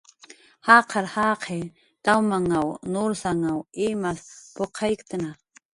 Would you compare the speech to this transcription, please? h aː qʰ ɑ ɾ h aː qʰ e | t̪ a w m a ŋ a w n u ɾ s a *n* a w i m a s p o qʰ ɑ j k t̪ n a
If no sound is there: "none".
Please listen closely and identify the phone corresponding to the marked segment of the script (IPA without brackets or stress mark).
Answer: ŋ